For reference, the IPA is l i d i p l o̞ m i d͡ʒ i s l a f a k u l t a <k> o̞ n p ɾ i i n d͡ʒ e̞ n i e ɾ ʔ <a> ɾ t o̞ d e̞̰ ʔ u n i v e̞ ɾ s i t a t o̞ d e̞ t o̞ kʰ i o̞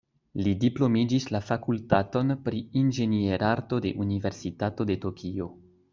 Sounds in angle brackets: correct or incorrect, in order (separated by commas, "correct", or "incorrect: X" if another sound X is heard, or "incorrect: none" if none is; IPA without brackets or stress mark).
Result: incorrect: t, correct